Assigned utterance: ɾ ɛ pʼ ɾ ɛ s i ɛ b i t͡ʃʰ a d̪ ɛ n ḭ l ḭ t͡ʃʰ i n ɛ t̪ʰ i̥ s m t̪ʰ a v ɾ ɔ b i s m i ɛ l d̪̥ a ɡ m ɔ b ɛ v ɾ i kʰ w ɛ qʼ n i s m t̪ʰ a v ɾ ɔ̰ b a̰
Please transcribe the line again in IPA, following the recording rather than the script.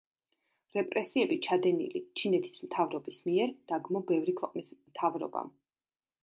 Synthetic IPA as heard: ɾ ɛ pʼ ɾ ɛ s i ɛ b i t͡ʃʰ a d̪ ɛ n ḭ l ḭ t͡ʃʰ i n ɛ t̪ʰ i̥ s m t̪ʰ a v ɾ ɔ b i s m i ɛ ɾ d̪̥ a ɡ m ɔ b ɛ v ɾ i kʰ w ɛ qʼ n i s m t̪ʰ a v ɾ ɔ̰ b a̰